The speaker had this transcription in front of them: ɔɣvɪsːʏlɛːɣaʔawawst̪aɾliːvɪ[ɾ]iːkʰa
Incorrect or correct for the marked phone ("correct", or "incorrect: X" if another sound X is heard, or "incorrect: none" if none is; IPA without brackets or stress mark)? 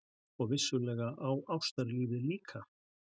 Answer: incorrect: l